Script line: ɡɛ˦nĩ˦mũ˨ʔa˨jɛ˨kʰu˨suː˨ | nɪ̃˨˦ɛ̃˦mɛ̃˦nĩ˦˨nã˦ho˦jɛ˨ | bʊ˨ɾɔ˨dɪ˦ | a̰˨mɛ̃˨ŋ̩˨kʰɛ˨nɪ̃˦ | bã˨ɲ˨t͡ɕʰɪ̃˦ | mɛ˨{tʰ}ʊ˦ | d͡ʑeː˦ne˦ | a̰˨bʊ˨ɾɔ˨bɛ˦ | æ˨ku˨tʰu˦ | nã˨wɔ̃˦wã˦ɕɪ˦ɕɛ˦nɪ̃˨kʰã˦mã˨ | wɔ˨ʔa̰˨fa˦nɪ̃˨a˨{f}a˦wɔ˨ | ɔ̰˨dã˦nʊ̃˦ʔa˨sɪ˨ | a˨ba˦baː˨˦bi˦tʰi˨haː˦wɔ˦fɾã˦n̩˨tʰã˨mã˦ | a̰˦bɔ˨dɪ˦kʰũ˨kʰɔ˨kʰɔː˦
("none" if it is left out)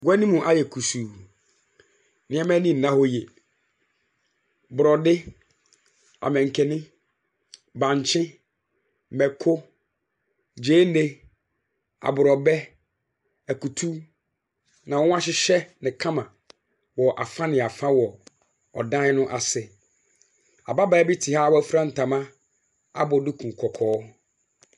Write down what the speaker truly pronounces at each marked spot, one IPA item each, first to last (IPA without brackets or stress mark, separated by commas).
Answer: kʰ, f